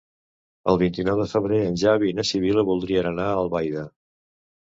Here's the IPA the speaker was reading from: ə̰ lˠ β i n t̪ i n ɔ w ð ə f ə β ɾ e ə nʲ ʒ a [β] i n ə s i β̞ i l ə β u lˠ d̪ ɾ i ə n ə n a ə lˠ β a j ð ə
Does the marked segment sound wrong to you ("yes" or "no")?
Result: no